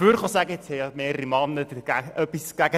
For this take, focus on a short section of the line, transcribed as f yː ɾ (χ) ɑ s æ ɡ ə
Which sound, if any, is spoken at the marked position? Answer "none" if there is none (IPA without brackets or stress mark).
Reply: χ